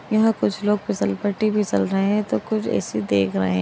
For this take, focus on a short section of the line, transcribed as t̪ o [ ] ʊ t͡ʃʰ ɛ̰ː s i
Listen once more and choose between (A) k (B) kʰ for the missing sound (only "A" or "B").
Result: A